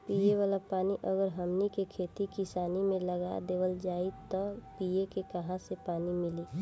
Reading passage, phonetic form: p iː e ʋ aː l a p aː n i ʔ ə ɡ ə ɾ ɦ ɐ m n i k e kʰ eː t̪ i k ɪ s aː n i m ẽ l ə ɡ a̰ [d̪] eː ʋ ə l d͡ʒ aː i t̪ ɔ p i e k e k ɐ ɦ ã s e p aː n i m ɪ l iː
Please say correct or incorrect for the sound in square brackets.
correct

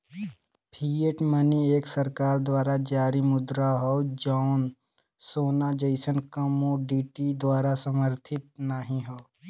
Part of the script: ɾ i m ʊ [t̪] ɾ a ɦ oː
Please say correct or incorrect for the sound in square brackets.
incorrect: d̪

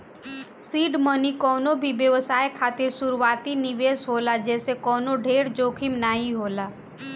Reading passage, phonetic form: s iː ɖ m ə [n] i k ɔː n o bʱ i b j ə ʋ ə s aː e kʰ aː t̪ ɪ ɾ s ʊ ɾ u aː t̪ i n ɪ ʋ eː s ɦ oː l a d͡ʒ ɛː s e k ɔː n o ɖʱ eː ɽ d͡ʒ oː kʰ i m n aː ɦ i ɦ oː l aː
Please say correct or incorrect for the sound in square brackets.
correct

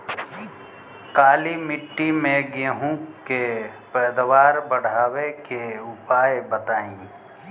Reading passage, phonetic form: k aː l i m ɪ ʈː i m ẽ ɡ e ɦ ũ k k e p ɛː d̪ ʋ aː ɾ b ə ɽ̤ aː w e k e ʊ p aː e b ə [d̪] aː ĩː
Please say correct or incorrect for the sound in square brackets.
incorrect: t̪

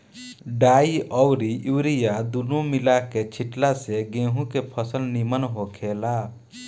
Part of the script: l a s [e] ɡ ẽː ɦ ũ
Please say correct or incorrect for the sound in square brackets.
correct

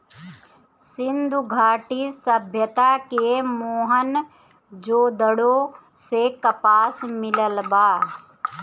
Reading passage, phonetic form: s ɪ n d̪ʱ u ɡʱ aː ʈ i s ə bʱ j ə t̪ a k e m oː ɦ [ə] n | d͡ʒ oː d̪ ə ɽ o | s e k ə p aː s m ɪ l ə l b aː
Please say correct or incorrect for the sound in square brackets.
correct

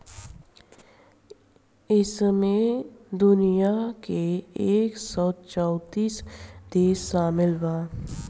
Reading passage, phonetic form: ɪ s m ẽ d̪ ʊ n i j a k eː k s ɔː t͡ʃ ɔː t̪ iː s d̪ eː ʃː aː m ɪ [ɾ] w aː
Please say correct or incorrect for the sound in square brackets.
incorrect: l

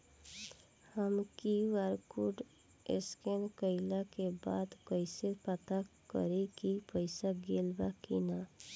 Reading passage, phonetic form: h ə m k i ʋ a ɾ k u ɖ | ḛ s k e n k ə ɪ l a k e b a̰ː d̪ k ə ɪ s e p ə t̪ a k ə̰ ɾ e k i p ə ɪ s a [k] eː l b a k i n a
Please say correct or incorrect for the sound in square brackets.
incorrect: ɡ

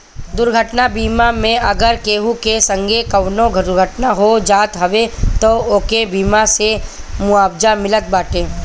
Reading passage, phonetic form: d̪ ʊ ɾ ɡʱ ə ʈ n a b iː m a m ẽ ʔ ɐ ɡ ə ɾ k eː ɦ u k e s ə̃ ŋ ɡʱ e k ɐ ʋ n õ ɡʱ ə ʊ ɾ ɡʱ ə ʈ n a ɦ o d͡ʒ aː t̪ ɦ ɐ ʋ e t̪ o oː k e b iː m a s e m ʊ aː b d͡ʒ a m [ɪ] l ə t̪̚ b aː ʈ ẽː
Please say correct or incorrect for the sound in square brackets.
correct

